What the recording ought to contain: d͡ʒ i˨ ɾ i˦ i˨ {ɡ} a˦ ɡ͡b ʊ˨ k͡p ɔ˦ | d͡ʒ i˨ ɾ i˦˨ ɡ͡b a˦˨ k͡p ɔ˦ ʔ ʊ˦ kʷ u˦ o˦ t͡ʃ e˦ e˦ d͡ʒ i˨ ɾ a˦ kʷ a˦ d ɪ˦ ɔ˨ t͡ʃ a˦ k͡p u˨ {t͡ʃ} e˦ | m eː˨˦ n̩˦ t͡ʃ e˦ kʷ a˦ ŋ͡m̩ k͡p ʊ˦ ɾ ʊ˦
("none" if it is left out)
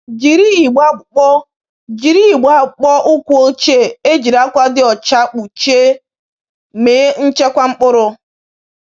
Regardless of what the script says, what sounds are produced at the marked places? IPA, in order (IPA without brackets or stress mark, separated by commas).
ɡ͡b, t͡ʃ